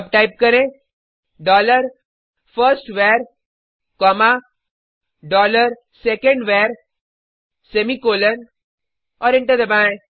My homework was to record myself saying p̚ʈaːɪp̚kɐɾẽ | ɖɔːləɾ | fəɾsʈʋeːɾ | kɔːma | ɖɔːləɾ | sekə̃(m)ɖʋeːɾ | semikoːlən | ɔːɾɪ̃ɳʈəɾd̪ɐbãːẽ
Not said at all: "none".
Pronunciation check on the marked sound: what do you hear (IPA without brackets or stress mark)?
ɳ